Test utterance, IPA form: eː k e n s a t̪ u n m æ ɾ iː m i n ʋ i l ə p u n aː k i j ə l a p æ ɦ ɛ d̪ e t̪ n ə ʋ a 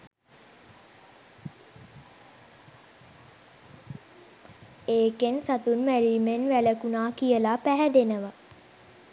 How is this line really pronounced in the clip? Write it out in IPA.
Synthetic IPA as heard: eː k e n s a t̪ u n m æ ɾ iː m e n ʋ æ l ə k u n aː k i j ə l a p æ ɦ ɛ d̪ e n ə ʋ a